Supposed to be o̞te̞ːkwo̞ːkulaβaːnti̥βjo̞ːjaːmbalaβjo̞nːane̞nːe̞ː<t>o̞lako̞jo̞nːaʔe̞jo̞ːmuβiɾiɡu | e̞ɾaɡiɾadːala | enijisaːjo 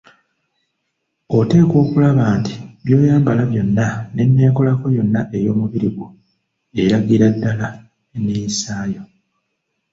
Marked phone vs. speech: incorrect: k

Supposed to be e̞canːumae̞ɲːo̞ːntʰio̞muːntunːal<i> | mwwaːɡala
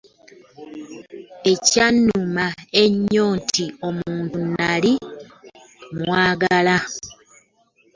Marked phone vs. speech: correct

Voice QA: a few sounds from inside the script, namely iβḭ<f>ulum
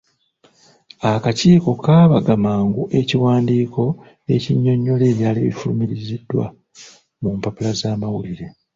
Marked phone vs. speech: correct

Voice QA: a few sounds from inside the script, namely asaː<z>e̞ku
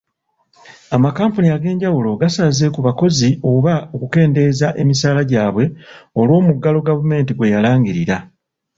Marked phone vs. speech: correct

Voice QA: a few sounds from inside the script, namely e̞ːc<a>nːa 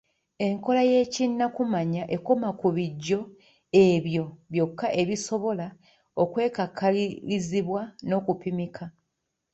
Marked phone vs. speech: incorrect: i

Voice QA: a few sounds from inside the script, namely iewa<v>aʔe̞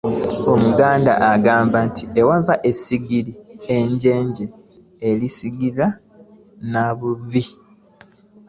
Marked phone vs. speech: correct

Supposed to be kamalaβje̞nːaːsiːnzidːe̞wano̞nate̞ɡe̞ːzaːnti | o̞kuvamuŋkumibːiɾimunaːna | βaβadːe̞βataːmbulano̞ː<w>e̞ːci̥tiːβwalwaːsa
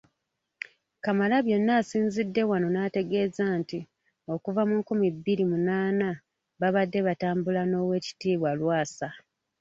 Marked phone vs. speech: correct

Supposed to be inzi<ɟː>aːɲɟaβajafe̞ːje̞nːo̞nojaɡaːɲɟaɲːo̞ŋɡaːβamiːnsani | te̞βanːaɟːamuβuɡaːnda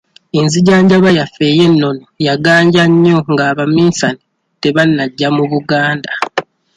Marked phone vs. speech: incorrect: ɟ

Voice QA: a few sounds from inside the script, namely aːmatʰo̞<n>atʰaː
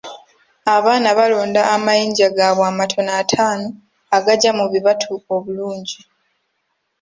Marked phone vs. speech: correct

